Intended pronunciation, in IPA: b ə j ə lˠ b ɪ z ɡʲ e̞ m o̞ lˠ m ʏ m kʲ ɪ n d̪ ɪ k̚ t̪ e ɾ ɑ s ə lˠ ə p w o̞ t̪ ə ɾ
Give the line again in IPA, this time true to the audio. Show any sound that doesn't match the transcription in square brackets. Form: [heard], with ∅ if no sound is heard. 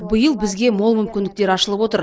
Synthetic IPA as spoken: b ə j ə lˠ b ɪ z ɡʲ e̞ m o̞ lˠ m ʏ m kʲ ɪ n d̪ ɪ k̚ t̪ e ɾ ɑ [ʃ] ə lˠ ə p w o̞ t̪ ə ɾ